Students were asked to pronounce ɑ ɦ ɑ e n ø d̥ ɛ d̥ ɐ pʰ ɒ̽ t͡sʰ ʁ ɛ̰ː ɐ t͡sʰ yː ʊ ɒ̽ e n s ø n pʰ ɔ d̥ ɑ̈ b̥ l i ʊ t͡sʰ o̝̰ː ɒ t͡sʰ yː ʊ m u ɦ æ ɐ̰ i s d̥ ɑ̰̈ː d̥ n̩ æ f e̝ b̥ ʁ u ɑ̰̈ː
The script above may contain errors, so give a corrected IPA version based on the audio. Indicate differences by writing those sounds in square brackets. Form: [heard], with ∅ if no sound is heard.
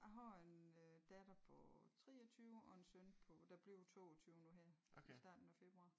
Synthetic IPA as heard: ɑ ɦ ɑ e n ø d̥ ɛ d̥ ɐ pʰ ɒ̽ t͡sʰ ʁ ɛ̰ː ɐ t͡sʰ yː ʊ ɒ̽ e n s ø n pʰ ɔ d̥ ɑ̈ b̥ l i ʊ t͡sʰ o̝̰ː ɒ t͡sʰ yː ʊ [n] u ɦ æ ɐ̰ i s d̥ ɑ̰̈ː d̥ n̩ æ f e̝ b̥ ʁ u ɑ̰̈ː